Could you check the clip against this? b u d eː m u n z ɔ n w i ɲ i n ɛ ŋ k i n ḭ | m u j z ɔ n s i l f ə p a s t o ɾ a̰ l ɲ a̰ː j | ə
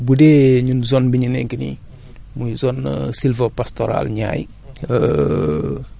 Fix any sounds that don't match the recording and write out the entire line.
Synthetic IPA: b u d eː ɲ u n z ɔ n b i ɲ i n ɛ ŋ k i n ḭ | m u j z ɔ n s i l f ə p a s t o ɾ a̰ l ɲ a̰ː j | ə